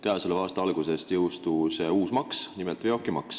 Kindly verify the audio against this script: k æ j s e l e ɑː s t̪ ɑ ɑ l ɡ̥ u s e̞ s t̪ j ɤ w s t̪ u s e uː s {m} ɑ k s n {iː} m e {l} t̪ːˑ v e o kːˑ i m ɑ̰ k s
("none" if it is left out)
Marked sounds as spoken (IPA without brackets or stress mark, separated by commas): m, i, l